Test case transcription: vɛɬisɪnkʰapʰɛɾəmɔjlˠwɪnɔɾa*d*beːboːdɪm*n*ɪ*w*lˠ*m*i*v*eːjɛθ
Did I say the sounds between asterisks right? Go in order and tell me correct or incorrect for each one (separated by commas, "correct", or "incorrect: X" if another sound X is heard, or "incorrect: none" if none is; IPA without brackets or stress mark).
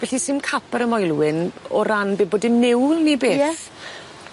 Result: incorrect: n, correct, correct, incorrect: n, incorrect: b